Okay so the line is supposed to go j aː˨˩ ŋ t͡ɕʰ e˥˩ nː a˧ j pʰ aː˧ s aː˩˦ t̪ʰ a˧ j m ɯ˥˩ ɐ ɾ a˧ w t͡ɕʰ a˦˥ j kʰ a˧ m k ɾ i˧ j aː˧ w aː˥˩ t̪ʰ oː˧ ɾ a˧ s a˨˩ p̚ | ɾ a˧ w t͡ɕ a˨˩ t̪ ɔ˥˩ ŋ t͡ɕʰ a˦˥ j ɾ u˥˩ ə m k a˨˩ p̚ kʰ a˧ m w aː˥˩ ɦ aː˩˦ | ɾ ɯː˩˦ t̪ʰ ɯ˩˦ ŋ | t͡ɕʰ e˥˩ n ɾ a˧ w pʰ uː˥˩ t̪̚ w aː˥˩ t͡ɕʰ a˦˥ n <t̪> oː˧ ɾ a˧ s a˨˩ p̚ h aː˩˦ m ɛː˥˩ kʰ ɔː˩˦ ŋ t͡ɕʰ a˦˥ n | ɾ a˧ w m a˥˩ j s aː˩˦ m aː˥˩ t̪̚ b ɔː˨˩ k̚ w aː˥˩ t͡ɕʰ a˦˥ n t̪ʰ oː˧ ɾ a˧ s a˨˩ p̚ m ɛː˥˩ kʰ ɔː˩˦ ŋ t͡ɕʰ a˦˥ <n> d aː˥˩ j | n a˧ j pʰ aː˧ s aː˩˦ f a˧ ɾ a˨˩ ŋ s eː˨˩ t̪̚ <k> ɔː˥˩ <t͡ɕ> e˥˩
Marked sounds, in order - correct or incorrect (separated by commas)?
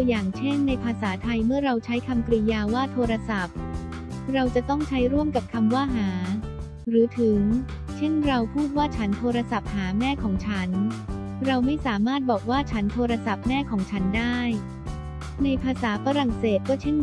incorrect, correct, correct, incorrect